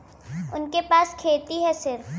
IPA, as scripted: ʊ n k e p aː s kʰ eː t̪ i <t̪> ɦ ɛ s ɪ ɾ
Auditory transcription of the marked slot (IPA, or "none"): none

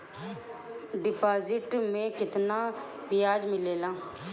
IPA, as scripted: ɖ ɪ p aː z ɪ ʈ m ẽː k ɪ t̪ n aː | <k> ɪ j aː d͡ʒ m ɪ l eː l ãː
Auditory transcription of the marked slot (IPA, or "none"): p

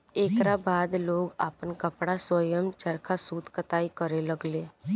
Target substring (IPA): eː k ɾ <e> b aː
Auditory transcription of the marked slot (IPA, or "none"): a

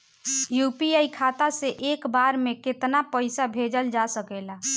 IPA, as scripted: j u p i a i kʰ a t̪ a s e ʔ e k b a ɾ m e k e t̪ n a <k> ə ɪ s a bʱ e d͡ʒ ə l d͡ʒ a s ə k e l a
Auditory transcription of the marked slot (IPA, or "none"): p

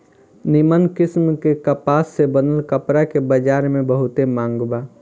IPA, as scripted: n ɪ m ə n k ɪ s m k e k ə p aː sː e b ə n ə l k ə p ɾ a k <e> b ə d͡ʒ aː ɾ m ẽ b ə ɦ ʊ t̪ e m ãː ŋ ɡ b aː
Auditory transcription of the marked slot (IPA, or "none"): e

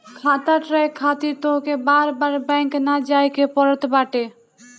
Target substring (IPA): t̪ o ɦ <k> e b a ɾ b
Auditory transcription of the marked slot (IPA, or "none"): k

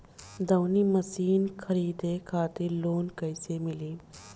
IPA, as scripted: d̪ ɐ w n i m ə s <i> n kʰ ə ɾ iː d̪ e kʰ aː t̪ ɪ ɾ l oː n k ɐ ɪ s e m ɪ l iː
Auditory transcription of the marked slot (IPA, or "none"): iː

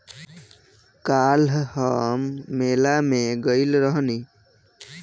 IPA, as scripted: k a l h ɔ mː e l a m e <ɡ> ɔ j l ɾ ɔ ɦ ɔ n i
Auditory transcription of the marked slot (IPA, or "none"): ɡ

